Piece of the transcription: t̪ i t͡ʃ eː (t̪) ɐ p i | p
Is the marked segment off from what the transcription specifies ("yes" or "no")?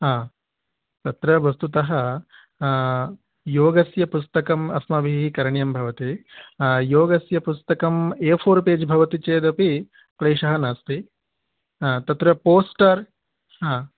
yes